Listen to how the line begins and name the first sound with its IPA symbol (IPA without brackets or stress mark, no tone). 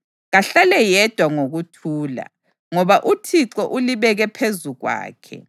ɣ